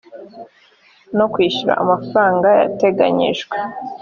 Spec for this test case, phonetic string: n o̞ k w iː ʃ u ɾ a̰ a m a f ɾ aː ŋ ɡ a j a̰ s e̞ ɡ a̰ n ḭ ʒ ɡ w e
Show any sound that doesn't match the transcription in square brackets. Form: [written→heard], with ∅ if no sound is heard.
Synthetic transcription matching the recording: n o̞ k w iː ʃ u ɾ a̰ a m a f ɾ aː ŋ ɡ a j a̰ [s→t] e̞ ɡ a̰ [n→ɲ] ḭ ʒ ɡ w e